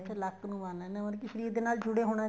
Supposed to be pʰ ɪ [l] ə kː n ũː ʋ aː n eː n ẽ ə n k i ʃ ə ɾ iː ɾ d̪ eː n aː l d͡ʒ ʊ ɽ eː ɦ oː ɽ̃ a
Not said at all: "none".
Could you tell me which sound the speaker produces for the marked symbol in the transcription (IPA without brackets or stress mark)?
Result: l